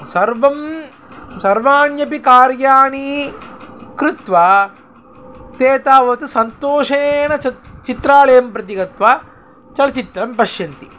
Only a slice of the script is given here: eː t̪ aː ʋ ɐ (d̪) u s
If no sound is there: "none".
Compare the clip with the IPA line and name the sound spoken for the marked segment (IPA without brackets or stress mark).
t̪